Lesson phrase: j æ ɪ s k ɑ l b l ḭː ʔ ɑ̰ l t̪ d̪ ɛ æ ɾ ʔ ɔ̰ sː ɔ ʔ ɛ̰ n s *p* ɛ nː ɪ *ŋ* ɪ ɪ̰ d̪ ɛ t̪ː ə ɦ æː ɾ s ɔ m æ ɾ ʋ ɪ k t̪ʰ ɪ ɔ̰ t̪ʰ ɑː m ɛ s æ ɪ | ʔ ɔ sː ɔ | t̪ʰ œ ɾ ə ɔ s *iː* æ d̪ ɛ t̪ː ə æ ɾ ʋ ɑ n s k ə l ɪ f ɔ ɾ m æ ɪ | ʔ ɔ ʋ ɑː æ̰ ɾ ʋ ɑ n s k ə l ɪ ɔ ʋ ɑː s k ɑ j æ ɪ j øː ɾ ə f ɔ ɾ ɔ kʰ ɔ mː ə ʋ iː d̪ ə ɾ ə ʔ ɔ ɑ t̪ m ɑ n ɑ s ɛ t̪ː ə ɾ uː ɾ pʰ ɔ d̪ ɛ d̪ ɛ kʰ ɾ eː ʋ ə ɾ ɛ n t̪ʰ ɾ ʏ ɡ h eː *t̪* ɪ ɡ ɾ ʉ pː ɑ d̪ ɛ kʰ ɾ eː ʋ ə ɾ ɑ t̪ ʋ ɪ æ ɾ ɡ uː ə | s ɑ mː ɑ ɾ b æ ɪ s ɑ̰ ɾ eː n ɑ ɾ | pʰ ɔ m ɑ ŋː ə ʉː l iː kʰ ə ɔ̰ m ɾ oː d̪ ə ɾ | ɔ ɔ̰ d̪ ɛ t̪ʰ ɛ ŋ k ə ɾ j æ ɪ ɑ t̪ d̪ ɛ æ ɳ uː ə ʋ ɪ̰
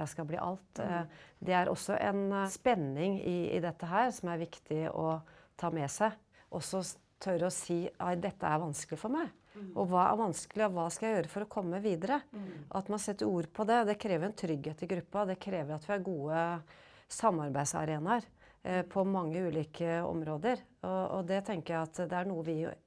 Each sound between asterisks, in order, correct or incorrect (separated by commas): correct, correct, correct, correct